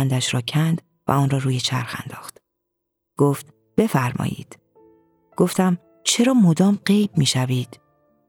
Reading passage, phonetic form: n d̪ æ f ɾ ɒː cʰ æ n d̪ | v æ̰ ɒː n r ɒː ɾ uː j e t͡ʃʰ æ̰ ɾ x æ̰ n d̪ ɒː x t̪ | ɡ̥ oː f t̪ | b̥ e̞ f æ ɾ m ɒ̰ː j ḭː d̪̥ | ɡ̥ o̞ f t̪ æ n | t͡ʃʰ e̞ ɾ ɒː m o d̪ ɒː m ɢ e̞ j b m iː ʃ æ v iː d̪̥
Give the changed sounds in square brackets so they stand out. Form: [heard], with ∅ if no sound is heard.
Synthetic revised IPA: n d̪ æ [ʃ] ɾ ɒː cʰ æ n d̪ | v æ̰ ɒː n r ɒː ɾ uː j e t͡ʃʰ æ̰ ɾ x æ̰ n d̪ ɒː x t̪ | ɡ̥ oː f t̪ | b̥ e̞ f æ ɾ m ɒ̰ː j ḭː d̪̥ | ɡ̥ o̞ f t̪ æ [m] | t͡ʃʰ e̞ ɾ ɒː m o d̪ ɒː m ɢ e̞ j b m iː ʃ æ v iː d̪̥